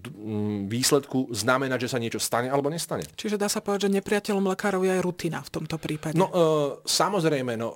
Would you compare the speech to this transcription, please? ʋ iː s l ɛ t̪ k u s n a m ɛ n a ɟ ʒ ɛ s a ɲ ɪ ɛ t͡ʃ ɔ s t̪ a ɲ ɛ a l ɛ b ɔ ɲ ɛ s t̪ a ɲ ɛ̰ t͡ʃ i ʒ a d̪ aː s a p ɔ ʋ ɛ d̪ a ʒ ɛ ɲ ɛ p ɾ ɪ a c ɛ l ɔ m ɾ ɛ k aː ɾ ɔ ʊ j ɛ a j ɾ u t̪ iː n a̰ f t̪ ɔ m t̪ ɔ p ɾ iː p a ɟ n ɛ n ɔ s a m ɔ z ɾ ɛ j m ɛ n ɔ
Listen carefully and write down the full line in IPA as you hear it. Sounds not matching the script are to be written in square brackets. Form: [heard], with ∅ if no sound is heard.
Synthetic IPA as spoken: ʋ iː s l ɛ t̪ k u [z] n a m ɛ n a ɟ ʒ ɛ s a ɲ ɪ ɛ t͡ʃ ɔ s t̪ a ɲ ɛ a l ɛ b ɔ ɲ ɛ s t̪ a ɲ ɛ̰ t͡ʃ i ʒ [ɛ] d̪ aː s a p ɔ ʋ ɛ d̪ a ʒ ɛ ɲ ɛ p ɾ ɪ a c ɛ l ɔ m [l] ɛ k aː ɾ ɔ ʊ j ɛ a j ɾ u t̪ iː n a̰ f t̪ ɔ m t̪ ɔ p ɾ iː p a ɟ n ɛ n ɔ s a m ɔ z ɾ ɛ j m ɛ n ɔ